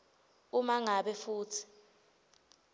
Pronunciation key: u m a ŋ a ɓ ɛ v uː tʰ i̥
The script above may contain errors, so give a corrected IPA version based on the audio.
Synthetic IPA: u m a ŋ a ɓ ɛ f uː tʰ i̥